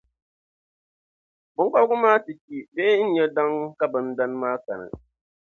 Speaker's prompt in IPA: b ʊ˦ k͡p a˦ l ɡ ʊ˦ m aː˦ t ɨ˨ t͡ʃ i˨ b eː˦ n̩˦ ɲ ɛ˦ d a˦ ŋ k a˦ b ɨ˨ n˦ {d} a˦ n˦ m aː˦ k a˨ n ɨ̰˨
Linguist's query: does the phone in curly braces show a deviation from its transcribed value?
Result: no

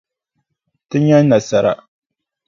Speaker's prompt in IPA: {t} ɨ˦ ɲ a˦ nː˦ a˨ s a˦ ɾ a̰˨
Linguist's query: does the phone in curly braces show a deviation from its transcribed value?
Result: no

